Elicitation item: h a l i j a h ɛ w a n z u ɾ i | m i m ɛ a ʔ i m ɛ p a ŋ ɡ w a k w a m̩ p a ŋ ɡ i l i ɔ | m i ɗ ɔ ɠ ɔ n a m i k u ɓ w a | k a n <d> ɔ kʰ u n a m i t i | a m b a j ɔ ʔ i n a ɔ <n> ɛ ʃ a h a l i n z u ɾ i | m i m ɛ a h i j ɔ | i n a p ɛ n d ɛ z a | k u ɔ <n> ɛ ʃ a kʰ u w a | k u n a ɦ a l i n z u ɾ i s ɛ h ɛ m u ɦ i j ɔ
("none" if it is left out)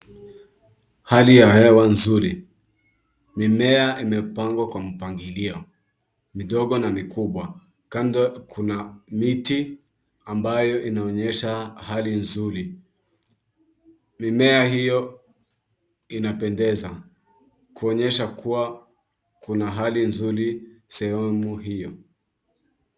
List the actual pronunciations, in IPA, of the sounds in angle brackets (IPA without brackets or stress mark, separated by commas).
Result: d, ɲ, ɲ